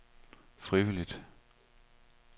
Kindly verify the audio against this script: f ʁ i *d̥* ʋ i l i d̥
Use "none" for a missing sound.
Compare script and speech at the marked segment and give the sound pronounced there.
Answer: none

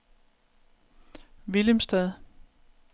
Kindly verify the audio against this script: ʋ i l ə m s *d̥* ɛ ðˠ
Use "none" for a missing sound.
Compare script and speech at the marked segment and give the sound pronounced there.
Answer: d̥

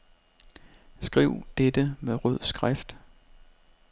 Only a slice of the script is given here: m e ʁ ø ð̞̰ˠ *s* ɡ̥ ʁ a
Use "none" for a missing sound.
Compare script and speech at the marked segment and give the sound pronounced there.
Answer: s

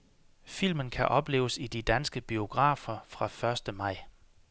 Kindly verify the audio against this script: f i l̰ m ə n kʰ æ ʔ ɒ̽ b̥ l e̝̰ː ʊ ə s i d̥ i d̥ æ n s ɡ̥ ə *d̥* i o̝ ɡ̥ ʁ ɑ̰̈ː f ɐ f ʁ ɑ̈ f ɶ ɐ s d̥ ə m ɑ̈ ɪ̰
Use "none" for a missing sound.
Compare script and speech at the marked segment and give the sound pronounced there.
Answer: b̥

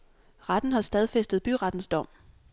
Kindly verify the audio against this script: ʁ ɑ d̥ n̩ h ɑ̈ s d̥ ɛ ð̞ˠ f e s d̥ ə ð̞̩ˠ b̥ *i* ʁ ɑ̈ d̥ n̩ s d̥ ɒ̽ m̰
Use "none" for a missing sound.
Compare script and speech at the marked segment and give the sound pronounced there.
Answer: y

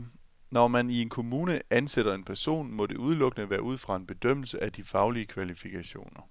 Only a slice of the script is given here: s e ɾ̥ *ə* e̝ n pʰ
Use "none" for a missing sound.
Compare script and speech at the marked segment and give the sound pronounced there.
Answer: ɐ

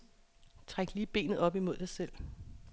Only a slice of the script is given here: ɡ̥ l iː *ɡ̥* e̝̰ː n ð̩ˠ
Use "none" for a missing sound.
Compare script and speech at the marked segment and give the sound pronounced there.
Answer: b̥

